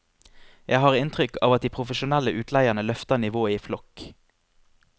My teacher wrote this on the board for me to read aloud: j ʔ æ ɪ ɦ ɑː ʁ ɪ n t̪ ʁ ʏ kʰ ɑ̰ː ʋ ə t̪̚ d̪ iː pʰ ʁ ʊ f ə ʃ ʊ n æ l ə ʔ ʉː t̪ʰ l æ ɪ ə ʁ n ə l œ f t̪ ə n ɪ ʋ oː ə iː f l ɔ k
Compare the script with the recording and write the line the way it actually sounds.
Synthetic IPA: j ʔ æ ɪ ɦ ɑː ʁ ɪ n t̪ ʁ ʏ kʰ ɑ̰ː ʋ ɑ t̪̚ d̪ iː pʰ ʁ ʊ f ə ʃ ʊ n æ l ə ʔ ʉː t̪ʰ l æ ɪ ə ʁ n ə l œ f t̪ ə n ɪ ʋ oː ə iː f l ɔ k